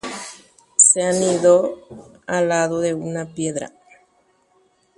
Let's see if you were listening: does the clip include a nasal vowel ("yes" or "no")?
no